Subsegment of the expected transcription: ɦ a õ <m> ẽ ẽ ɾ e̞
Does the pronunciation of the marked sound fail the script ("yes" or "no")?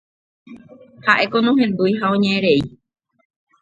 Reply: yes